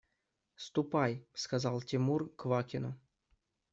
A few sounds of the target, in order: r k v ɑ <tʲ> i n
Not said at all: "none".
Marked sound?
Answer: kʲ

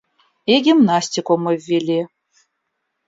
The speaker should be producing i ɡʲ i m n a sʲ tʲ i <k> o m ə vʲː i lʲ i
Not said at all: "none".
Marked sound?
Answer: k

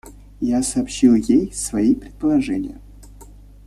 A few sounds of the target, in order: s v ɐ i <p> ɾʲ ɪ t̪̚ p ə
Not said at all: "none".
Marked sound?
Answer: p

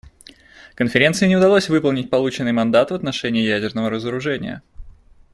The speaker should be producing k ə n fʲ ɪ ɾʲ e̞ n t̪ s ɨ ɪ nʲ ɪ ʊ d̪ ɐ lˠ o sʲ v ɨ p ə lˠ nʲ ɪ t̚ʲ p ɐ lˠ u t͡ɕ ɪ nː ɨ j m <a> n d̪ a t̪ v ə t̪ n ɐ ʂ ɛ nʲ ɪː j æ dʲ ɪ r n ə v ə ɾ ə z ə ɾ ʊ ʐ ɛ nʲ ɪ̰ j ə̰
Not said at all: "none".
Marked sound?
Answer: ɐ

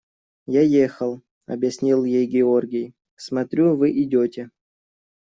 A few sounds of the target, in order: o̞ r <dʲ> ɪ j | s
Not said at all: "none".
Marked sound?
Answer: ɡʲ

